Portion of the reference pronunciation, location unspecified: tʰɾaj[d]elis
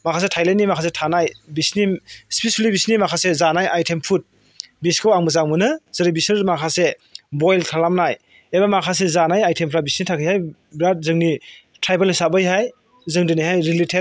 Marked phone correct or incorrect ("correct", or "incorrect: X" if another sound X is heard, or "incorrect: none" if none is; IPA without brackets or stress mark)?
incorrect: b